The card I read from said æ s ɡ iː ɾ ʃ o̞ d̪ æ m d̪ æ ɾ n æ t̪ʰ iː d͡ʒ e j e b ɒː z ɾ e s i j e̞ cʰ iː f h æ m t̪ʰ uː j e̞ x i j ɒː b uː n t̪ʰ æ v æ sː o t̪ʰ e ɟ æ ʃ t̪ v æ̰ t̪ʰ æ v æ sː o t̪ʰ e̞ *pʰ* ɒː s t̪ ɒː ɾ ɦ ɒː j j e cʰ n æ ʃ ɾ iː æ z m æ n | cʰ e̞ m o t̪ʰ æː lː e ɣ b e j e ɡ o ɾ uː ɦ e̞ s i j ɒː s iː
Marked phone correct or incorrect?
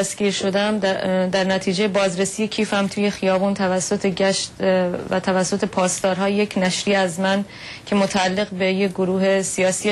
correct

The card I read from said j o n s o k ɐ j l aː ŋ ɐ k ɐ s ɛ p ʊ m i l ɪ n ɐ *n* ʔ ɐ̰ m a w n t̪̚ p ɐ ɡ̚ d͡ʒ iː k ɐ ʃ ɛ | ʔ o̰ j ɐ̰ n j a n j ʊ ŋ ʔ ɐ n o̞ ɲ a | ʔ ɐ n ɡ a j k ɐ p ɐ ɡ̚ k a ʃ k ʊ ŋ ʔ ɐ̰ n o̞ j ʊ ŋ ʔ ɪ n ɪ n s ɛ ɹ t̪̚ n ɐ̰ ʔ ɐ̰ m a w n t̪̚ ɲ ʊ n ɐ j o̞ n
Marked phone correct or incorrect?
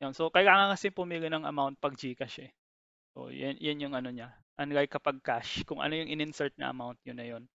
incorrect: ŋ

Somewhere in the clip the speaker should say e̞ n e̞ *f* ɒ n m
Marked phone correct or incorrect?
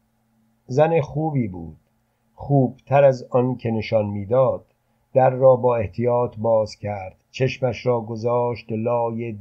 incorrect: ʃ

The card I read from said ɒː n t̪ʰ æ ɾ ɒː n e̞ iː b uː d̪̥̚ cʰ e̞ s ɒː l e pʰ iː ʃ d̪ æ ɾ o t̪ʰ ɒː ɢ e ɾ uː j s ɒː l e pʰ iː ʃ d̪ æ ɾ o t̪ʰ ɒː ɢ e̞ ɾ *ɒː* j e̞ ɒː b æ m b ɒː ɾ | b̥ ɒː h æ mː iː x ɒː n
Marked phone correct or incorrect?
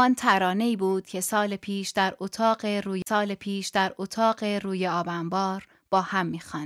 incorrect: uː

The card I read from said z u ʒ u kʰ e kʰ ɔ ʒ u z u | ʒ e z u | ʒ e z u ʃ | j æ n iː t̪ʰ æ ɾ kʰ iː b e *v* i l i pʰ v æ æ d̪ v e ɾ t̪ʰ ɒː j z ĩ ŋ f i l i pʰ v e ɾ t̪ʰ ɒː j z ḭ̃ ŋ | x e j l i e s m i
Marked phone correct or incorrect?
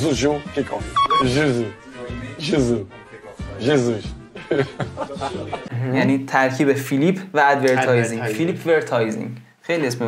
incorrect: f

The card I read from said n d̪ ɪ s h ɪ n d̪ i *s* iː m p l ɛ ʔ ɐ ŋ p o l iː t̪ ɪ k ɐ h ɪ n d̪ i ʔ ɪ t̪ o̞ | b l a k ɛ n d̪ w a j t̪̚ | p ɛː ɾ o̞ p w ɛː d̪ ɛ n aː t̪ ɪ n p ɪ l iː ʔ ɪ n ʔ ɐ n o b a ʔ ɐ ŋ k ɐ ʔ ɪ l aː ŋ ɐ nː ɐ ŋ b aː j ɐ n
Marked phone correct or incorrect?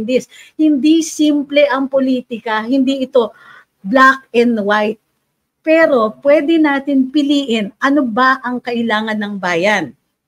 correct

